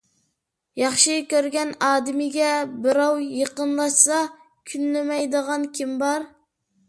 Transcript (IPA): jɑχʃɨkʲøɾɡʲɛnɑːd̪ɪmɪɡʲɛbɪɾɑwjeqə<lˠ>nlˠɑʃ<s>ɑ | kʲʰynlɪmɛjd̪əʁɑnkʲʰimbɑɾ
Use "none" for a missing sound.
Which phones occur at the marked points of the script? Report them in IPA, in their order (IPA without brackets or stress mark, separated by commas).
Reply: none, s